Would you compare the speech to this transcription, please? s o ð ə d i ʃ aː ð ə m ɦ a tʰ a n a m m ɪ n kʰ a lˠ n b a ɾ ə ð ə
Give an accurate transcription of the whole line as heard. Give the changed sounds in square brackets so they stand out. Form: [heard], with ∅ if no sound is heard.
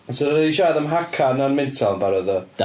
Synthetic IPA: s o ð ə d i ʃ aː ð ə m ɦ a [kʰ] a n a [n] m ɪ n [tʰ] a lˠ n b a ɾ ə ð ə